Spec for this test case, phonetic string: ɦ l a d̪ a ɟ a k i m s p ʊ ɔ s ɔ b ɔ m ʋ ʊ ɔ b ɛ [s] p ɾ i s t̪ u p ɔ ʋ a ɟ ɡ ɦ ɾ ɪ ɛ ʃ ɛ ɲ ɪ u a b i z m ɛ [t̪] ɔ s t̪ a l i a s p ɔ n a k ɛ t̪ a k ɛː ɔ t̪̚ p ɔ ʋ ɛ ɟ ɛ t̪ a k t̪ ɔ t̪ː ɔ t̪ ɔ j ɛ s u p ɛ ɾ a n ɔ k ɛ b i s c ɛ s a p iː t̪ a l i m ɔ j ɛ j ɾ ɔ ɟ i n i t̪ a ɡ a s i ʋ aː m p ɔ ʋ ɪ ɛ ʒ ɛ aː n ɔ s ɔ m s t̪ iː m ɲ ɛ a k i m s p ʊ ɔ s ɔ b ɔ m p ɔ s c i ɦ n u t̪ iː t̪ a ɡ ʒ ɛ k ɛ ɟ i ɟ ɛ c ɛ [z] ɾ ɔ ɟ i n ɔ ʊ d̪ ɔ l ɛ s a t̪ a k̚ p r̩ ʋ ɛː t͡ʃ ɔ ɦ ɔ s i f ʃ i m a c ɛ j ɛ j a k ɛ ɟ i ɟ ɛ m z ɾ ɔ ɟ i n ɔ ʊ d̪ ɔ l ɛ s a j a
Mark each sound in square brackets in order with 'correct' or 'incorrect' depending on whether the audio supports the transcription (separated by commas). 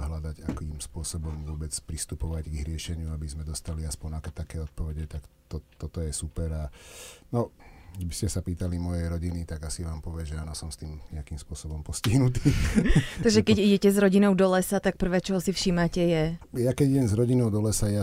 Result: incorrect, incorrect, correct